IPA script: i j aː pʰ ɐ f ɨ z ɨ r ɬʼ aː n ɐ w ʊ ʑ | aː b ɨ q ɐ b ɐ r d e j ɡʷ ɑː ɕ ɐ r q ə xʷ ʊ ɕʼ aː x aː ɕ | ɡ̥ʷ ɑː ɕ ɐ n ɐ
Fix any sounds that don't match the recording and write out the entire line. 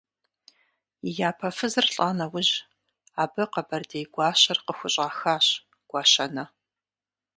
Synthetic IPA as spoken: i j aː pʰ ɐ f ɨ z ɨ r ɬʼ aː n ɐ w ʊ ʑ | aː b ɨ q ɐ b ɐ r d e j ɡʷ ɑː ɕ ɐ r q ə xʷ ʊ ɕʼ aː x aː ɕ | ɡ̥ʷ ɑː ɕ ɐ n ɐ